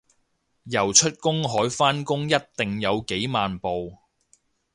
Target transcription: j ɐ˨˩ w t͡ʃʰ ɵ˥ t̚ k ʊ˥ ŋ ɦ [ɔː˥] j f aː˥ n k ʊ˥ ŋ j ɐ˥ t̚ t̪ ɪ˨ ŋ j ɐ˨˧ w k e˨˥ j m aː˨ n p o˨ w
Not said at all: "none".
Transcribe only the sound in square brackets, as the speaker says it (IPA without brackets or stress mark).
ɔː˨˥